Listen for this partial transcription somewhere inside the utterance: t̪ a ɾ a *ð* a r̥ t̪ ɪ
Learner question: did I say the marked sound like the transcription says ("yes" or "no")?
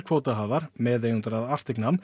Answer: yes